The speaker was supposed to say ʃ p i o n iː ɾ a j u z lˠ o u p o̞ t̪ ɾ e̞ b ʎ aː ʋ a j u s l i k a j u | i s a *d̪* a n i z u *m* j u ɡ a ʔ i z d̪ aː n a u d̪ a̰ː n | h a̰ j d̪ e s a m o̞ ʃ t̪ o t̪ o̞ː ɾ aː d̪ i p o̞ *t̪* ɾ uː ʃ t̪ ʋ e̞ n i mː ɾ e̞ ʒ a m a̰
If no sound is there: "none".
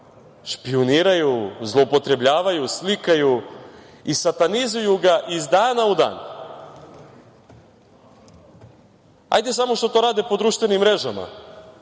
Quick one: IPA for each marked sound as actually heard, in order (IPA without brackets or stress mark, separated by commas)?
t̪, none, d̪